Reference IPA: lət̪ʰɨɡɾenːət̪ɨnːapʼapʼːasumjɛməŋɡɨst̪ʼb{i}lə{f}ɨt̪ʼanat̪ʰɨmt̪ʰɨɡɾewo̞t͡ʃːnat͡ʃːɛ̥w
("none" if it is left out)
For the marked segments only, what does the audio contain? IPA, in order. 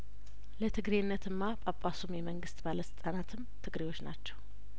a, s

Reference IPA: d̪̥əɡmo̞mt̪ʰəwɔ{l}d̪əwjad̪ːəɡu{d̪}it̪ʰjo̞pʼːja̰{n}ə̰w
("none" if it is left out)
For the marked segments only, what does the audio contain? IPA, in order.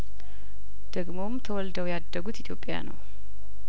l, t̪, n

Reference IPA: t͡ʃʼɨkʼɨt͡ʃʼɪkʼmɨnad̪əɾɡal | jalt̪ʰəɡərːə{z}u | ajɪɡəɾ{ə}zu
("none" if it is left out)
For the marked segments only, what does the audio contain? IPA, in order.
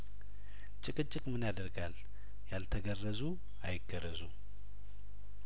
z, ə

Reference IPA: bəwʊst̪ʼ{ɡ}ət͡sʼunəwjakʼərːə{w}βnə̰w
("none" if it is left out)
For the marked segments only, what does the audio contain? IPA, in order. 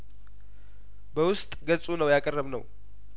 ɡ, none

